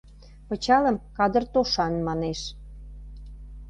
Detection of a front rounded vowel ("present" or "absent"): absent